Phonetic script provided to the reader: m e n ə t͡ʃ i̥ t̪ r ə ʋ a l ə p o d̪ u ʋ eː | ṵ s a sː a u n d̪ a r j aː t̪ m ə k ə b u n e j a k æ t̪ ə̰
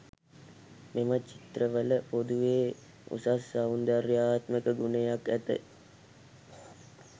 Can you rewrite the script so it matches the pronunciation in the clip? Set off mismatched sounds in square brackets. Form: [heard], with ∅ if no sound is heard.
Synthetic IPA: m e [m] ə t͡ʃ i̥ t̪ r ə ʋ [ə] l ə p o d̪ u ʋ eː | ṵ s a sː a u n d̪ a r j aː t̪ m ə k ə [ɡ] u n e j a k æ t̪ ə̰